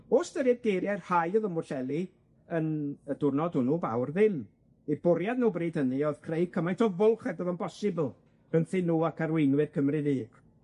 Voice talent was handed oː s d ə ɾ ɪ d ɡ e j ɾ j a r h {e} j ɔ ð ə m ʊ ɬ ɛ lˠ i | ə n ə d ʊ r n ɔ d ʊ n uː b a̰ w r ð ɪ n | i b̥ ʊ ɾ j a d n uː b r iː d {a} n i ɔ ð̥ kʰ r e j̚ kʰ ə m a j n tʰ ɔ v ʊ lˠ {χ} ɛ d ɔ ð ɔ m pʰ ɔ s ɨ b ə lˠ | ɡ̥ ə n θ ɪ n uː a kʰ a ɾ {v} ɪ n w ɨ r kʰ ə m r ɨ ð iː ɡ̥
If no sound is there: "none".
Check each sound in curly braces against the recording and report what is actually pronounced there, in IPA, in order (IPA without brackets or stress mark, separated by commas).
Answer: a, ə, χ, w